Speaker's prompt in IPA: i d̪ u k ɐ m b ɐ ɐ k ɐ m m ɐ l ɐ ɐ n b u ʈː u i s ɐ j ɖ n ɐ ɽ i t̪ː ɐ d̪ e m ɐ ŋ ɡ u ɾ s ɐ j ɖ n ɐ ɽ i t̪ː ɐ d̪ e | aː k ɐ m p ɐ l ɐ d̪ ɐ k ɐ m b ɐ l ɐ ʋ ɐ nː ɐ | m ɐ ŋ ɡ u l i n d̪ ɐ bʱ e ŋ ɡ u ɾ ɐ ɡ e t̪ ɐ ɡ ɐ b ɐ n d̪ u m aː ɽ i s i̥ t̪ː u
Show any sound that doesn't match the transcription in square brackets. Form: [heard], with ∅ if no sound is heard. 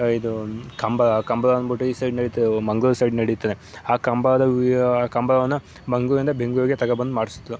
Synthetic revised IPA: i d̪ u k ɐ m b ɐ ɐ k ɐ m [b] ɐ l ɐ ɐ n b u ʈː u i s ɐ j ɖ n ɐ ɽ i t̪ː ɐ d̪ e m ɐ ŋ ɡ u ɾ s ɐ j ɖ n ɐ ɽ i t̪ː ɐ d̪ e | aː k ɐ m [b] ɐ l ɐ d̪ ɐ k ɐ m b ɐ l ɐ ʋ ɐ nː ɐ | m ɐ ŋ ɡ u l i n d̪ ɐ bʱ e ŋ ɡ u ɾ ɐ ɡ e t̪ ɐ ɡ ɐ b ɐ n d̪ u m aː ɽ i s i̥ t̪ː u